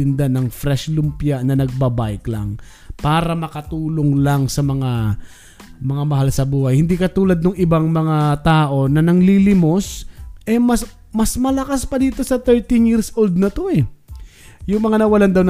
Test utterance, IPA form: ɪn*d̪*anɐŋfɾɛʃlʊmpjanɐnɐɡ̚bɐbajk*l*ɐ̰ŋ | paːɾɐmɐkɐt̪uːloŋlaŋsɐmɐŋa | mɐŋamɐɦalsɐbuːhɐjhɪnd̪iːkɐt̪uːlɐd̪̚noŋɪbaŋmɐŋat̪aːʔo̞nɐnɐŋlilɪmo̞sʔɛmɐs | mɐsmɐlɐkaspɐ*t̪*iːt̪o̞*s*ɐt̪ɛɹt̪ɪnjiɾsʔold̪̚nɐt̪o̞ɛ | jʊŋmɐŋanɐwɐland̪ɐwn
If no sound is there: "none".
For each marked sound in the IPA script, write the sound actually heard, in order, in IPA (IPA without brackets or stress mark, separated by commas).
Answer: d̪, l, d̪, s